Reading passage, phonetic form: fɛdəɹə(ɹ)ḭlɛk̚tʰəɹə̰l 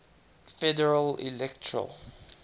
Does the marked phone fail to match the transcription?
yes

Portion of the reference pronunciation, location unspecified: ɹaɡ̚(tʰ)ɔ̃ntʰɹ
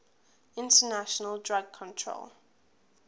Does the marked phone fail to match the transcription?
yes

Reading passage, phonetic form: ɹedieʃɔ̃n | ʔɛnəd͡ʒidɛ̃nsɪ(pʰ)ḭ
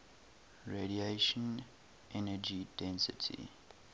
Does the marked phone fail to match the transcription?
yes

